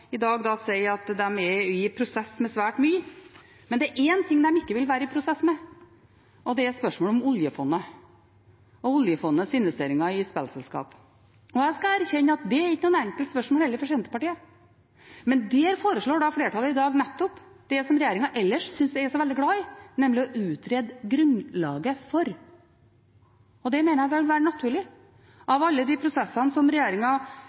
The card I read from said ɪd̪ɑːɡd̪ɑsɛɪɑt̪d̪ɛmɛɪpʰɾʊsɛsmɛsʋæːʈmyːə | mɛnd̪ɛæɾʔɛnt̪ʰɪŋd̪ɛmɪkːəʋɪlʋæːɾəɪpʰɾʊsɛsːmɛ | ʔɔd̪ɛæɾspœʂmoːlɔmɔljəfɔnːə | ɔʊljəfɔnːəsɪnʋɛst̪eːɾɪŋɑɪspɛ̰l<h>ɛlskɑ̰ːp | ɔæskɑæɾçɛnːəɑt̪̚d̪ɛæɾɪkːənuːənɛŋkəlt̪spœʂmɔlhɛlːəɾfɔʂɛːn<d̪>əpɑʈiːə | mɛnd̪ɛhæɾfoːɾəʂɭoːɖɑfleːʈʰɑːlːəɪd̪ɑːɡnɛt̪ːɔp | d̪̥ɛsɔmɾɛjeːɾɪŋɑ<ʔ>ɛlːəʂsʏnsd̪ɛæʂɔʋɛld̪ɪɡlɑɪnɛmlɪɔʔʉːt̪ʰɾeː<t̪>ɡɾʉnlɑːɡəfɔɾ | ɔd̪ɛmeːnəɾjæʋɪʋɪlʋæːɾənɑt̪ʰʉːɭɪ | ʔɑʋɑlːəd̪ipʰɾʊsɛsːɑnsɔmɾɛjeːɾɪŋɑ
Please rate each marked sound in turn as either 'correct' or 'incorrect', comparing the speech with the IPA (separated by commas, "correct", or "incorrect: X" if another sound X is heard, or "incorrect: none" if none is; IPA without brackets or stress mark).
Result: incorrect: s, incorrect: t̪, correct, incorrect: d̪